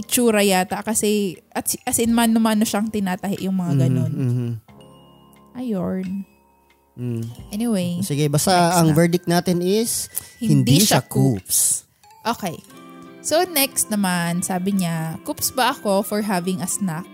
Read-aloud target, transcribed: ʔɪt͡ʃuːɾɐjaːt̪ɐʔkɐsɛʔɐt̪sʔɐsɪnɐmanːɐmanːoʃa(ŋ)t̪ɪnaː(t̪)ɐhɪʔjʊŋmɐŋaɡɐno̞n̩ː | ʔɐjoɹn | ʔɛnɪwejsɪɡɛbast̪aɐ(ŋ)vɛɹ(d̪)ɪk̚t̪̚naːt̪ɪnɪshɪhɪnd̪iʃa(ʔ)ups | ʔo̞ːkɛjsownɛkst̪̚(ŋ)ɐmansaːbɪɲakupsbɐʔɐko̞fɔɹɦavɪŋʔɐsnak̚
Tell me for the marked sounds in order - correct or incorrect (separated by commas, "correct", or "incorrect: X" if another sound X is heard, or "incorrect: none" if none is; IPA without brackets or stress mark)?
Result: correct, correct, correct, correct, incorrect: k, incorrect: n